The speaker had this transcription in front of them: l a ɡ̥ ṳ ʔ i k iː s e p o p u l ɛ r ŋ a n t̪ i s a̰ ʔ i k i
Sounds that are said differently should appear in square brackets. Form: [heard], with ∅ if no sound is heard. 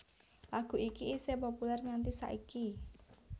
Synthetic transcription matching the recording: l a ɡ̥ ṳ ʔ i k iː s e p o p u l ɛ r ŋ a n t̪ i s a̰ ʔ i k i